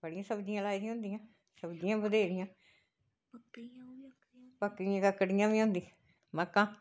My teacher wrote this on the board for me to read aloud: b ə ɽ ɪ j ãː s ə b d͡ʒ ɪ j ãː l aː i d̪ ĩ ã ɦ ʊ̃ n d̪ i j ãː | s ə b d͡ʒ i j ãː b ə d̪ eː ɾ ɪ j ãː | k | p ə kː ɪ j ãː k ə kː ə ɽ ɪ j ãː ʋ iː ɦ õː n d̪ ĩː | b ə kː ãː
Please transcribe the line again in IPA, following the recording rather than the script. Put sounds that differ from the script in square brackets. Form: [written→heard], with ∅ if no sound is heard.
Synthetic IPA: b ə ɽ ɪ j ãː s ə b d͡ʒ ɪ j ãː l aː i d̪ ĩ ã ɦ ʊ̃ n d̪ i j ãː | s ə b d͡ʒ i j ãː b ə d̪ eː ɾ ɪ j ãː | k | p ə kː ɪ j ãː k ə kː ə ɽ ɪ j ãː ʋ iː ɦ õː n d̪ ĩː | [b→m] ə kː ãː